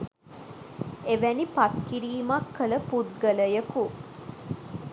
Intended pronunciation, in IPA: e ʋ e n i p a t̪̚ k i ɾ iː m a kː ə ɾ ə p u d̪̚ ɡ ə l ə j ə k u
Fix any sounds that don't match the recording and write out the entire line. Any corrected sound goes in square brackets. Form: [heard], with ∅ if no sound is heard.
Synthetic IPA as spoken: e ʋ [æ] n i p a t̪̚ k i ɾ iː m a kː ə [l] ə p u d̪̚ ɡ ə l ə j ə k u